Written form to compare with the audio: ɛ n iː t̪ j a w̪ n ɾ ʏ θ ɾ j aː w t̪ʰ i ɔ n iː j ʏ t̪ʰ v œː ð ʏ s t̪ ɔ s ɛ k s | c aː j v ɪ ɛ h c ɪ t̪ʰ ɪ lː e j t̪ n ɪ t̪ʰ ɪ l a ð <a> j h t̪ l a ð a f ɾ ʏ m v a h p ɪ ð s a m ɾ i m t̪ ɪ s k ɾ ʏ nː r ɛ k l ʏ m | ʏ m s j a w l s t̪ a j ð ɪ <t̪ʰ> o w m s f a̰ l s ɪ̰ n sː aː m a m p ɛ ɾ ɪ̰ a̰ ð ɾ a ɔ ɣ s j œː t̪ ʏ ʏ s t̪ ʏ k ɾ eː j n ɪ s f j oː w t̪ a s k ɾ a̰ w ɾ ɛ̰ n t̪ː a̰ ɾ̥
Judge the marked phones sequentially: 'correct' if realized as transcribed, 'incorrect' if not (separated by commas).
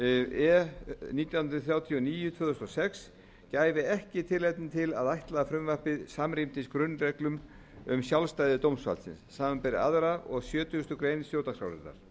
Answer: correct, incorrect